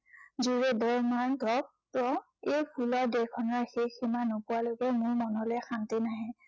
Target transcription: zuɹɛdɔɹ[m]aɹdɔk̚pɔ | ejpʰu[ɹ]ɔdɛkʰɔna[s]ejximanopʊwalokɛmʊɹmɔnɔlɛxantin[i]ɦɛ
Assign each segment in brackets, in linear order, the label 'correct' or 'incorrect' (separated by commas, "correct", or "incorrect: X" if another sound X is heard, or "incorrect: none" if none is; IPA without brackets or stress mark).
correct, incorrect: l, incorrect: x, incorrect: a